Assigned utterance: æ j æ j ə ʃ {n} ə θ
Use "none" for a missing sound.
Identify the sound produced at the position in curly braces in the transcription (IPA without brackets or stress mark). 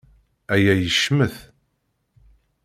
m